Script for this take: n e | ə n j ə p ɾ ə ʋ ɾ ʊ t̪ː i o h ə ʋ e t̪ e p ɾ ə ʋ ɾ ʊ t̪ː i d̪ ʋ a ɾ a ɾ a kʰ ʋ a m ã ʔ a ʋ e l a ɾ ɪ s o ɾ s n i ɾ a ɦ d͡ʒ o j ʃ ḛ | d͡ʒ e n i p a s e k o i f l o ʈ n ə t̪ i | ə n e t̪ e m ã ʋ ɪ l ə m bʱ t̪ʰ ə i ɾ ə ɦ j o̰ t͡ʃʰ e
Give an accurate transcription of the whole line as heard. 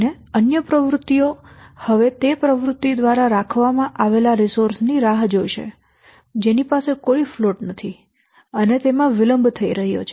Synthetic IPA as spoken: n e | ə n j ə p ɾ ə ʋ ɾ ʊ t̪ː i o h ə ʋ e t̪ e p ɾ ə ʋ ɾ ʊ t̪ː i d̪ ʋ a ɾ a ɾ a kʰ ʋ a m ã ʔ a ʋ e l a ɾ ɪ s o ɾ s n i ɾ a ɦ d͡ʒ o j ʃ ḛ | d͡ʒ e n i p a s e k o i f l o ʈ n ə t̪ʰ i | ə n e t̪ e m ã ʋ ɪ l ə m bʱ t̪ʰ ə i ɾ ə ɦ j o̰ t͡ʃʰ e